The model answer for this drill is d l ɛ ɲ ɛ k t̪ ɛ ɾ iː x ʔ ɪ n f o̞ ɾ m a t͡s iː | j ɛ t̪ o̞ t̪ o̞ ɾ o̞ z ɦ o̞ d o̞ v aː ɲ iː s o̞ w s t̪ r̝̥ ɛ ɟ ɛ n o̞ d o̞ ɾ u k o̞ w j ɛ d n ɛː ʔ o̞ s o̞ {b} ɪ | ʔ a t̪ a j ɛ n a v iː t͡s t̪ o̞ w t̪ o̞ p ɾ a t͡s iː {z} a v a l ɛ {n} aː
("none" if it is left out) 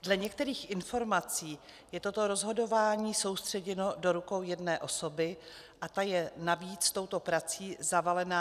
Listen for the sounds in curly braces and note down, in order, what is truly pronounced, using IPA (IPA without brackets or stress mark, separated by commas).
b, z, n